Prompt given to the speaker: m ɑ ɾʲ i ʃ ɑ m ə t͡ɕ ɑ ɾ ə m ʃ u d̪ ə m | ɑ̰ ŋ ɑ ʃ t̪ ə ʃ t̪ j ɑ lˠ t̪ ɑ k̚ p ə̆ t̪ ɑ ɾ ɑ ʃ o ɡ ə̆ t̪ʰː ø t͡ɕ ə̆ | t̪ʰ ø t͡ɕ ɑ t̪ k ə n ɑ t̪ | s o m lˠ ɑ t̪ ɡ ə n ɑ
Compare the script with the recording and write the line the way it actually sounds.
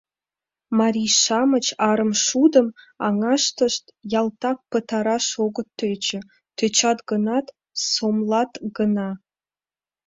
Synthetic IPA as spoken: m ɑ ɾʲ i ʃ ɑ m ə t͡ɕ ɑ ɾ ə m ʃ u d̪ ə m | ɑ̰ ŋ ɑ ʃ t̪ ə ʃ t̪ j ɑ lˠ t̪ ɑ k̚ p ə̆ t̪ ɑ ɾ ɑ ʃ o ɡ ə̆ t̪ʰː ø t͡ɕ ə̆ | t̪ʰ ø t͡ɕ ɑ t̪ ɡ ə n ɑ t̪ | s o m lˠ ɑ t̪ ɡ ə n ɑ

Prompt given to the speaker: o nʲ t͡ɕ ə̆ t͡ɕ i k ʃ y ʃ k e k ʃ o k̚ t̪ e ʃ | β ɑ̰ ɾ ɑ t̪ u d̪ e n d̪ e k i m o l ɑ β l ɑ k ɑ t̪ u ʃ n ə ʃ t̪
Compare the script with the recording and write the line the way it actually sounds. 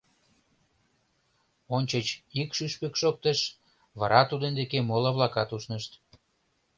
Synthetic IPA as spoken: o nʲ t͡ɕ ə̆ t͡ɕ i k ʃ y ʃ p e k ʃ o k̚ t̪ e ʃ | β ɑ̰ ɾ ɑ t̪ u d̪ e n d̪ e k e m o l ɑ β l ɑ k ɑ t̪ u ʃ n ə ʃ t̪

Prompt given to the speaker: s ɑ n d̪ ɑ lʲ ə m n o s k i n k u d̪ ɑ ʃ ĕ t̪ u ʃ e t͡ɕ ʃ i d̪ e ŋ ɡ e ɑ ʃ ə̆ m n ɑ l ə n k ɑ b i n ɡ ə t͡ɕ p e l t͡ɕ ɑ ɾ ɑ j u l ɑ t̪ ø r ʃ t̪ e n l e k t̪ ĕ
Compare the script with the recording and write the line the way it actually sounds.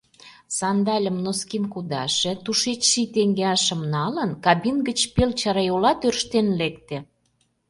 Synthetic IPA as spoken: s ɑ n d̪ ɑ lʲ ə m n o s k i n k u d̪ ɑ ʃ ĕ t̪ u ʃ e t͡ɕ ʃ i t̪ e ŋ ɡ e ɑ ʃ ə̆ m n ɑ l ə n k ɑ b i n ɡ ə t͡ɕ p e l t͡ɕ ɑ ɾ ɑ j o l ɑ t̪ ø r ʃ t̪ e n l e k t̪ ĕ

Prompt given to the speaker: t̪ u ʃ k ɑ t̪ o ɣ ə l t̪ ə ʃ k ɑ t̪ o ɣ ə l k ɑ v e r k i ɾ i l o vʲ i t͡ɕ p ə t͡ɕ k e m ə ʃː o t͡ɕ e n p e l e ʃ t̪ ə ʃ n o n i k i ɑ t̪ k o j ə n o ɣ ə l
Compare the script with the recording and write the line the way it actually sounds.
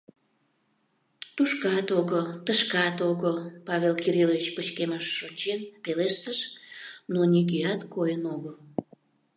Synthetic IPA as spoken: t̪ u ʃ k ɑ t̪ o ɣ ə l t̪ ə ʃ k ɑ t̪ o ɣ ə l p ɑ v e l k i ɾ i l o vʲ i t͡ɕ p ə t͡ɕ k e m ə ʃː o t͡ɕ e n p e l e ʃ t̪ ə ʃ n o n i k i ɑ t̪ k o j ə n o ɣ ə l

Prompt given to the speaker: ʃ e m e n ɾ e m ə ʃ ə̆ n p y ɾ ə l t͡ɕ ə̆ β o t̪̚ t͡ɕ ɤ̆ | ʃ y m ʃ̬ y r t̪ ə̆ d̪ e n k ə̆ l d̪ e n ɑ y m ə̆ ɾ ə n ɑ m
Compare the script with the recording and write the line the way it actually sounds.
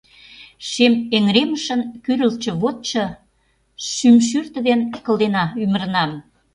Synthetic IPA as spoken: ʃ e m e ŋ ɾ e m ə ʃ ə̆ n k y ɾ ə l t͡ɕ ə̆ β o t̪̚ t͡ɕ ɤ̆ | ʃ y m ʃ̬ y r t̪ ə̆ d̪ e n k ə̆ l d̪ e n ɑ y m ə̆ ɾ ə n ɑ m

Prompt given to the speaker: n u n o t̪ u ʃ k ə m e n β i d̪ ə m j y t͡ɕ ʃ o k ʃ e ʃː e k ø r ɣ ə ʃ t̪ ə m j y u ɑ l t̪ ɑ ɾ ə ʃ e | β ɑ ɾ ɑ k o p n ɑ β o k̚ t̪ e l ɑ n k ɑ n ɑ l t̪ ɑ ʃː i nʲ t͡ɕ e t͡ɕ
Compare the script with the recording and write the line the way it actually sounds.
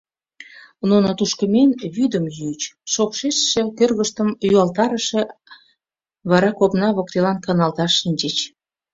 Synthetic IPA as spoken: n u n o t̪ u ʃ k ə m e n β y d̪ ə m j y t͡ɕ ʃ o k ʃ e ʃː e k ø r ɣ ə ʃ t̪ ə m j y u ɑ l t̪ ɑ ɾ ə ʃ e | β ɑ ɾ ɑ k o p n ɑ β o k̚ t̪ e l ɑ n k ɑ n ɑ l t̪ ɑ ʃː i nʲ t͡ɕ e t͡ɕ

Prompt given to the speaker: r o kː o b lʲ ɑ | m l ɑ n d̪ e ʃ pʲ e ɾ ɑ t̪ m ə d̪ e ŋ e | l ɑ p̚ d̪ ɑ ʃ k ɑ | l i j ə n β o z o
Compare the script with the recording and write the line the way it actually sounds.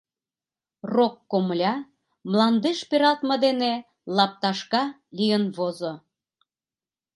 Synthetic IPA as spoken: r o kː o m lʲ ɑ | m l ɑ n d̪ e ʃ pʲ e ɾ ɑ t̪ m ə d̪ e n e | l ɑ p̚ t̪ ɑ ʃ k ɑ | l i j ə n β o z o

